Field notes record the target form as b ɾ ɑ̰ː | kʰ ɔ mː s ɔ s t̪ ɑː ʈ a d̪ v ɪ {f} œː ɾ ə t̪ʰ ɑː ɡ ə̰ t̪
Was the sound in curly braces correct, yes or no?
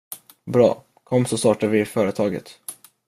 yes